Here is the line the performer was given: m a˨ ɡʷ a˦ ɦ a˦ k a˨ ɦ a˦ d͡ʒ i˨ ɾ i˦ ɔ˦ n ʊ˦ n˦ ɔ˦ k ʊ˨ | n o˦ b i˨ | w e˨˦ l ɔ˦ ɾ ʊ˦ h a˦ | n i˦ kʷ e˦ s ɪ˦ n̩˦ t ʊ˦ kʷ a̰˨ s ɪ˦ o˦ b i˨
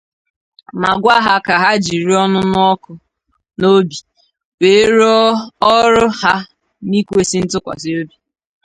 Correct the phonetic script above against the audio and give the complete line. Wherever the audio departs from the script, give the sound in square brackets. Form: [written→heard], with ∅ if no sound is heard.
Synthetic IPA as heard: m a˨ ɡʷ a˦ ɦ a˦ k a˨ ɦ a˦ d͡ʒ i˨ ɾ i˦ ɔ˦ n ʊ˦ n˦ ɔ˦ k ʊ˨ | n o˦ b i˨ | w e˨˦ [l→ɾ] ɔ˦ ɾ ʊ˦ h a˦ | n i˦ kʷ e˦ s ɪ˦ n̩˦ t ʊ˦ kʷ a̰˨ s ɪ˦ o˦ b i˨